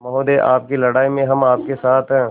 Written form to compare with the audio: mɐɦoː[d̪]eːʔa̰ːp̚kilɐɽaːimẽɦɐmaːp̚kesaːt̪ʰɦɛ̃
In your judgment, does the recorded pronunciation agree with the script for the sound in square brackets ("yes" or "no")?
yes